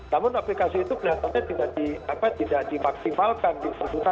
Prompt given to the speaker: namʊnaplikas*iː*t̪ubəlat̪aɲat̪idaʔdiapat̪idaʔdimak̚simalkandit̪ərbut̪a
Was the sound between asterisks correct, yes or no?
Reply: yes